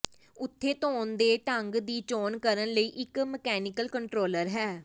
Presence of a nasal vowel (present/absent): absent